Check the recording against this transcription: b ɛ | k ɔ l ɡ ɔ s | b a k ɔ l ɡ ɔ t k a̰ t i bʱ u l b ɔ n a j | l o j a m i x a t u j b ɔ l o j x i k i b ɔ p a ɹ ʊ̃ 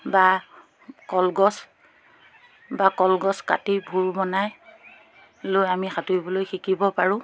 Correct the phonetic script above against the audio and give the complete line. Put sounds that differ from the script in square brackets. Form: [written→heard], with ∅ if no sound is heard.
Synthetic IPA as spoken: b [ɛ→a] | k ɔ l ɡ ɔ s | b a k ɔ l ɡ ɔ [t→s] k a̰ t i bʱ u [l→ɹ] b ɔ n a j | l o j a m i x a t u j b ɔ l o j x i k i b ɔ p a ɹ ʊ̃